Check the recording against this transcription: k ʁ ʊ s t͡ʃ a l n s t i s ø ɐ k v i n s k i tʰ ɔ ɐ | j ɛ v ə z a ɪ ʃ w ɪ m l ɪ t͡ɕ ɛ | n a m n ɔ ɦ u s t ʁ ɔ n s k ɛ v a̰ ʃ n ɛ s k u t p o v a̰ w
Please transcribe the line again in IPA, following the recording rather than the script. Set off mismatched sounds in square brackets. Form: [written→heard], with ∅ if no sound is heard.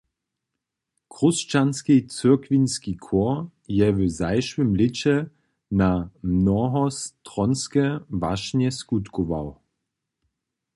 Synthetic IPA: k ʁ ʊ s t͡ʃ a [l→∅] n s [t→k] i [s→t͡s] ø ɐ k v i n s k i [tʰ→kʰ] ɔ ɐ | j ɛ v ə z a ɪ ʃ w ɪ m l ɪ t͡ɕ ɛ | n a m n ɔ ɦ [u→ɔ] s t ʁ ɔ n s k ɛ v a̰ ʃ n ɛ s k u t [p→k] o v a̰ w